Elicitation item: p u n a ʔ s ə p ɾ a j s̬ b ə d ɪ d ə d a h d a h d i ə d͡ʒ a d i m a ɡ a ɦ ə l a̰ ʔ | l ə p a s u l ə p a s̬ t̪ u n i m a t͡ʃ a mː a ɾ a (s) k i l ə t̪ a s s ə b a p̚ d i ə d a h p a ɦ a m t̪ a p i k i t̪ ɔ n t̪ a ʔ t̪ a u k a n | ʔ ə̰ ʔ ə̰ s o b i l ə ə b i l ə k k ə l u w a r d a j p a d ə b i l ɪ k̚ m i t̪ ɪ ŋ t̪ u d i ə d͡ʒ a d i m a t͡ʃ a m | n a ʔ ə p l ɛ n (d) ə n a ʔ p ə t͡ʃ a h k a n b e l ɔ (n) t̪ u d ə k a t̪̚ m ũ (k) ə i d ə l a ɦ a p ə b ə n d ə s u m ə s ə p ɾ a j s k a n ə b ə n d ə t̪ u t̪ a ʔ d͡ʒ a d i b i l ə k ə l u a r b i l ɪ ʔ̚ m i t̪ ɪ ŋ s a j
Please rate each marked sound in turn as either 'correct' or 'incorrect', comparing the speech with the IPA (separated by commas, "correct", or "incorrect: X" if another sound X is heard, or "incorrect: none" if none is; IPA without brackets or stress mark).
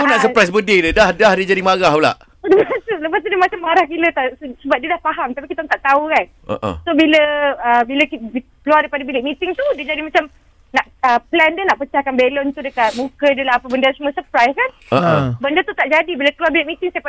incorrect: h, correct, correct, correct